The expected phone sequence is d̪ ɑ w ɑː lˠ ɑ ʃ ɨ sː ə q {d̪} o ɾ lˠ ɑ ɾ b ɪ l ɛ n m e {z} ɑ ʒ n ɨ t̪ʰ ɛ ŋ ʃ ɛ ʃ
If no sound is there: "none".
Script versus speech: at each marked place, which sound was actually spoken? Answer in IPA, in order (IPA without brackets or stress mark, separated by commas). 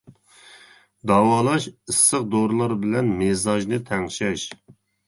d̪, z